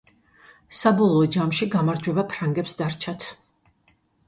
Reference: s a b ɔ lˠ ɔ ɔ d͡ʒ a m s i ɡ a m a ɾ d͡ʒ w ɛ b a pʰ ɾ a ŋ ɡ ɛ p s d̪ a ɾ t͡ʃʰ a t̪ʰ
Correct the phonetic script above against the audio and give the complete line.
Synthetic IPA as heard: s a b ɔ lˠ ɔ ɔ d͡ʒ a m ʃ i ɡ a m a ɾ d͡ʒ w ɛ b a pʰ ɾ a ŋ ɡ ɛ p s d̪ a ɾ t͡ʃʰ a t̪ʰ